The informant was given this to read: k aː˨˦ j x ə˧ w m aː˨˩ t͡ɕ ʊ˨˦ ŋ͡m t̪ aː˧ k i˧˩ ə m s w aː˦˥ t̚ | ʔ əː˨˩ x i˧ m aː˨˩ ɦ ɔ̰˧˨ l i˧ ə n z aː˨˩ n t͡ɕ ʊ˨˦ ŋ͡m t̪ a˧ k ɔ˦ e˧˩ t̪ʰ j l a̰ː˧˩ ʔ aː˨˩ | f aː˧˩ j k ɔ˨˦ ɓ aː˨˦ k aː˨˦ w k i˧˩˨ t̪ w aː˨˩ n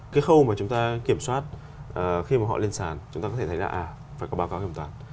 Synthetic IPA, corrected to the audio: k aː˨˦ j x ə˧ w m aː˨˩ t͡ɕ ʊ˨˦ ŋ͡m t̪ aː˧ k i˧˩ ə m s w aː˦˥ t̚ | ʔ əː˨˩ x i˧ m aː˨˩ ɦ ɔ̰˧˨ l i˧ ə n s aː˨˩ n t͡ɕ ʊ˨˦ ŋ͡m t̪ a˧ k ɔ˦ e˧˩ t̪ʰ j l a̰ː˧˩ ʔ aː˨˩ | f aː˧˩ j k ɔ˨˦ ɓ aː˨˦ k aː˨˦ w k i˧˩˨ t̪ w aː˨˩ n